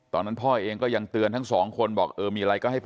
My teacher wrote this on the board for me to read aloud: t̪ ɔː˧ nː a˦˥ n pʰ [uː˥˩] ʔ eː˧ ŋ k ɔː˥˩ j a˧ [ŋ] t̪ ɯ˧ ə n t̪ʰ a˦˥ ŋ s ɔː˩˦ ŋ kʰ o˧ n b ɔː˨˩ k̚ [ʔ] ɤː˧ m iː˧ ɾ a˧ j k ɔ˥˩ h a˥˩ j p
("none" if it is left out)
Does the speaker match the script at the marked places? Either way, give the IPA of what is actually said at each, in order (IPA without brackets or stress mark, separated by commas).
ɔː˥˩, ŋ, ʔ